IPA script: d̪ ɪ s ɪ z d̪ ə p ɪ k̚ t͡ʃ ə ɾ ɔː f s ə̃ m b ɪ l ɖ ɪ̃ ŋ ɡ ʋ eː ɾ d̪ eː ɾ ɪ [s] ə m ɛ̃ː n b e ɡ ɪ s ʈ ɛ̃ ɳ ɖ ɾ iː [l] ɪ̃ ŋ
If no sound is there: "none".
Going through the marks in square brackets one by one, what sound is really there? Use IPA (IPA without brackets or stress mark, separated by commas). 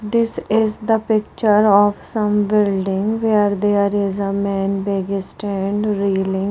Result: z, l